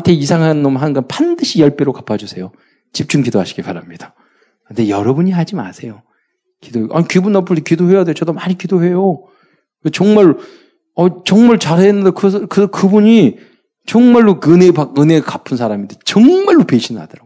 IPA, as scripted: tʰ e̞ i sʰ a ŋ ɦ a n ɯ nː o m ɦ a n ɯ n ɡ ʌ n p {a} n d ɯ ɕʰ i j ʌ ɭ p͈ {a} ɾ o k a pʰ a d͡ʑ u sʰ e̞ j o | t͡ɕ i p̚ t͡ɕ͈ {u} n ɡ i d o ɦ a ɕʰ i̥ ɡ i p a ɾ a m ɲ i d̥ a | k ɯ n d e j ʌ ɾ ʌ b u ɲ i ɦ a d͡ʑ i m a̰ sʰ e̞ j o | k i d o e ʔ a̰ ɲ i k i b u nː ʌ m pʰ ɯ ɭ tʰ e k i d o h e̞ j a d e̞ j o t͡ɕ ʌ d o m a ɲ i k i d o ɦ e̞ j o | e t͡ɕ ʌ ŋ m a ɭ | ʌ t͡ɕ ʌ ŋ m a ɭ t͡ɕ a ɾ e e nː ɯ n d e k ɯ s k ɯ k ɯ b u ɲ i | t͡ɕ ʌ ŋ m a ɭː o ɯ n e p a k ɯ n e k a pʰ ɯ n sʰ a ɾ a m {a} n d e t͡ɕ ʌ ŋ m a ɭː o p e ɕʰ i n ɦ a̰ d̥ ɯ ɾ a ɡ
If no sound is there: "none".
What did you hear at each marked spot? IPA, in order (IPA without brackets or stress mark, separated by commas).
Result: a, e, u, i